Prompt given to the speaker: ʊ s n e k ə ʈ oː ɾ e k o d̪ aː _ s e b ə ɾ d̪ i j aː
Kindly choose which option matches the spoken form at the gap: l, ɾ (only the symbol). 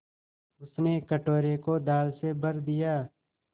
l